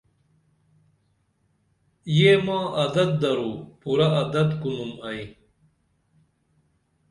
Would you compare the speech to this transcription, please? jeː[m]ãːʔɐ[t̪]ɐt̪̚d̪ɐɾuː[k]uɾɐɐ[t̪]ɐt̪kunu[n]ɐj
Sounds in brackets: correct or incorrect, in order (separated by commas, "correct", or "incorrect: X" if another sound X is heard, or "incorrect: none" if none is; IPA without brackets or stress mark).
correct, incorrect: d̪, incorrect: p, incorrect: d̪, incorrect: m